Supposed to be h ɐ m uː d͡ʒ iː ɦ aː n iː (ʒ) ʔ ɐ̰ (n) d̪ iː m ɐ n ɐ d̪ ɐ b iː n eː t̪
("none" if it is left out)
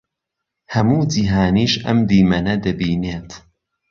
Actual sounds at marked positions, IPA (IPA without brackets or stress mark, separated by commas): ʃ, m